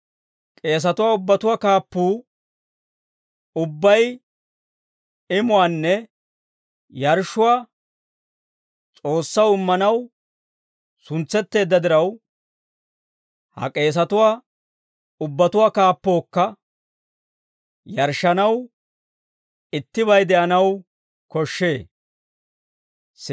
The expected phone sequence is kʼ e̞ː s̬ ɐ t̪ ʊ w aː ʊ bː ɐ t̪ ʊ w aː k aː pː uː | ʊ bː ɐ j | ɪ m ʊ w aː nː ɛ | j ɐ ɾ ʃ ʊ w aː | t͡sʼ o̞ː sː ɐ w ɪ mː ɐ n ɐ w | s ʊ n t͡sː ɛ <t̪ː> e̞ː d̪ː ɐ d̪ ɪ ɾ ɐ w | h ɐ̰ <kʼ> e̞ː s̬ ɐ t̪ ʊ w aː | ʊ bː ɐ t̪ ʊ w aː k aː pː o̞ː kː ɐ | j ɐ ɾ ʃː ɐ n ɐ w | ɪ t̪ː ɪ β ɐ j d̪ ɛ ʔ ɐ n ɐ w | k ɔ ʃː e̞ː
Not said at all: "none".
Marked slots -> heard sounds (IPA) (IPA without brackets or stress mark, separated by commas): t̪ː, kʼ